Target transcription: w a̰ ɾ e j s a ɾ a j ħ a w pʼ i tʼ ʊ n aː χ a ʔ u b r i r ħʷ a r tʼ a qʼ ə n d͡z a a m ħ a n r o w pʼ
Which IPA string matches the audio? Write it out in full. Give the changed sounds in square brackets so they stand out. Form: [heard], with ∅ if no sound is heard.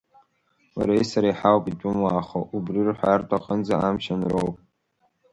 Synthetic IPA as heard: w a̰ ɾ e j s a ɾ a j ħ a w pʼ i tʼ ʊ [m] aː χ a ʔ u b r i r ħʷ a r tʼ a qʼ ə n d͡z a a m [ʃ] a n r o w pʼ